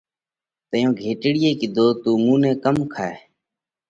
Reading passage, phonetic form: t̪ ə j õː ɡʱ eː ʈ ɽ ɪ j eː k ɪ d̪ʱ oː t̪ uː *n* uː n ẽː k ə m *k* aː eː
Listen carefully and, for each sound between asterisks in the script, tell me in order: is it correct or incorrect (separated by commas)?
incorrect, incorrect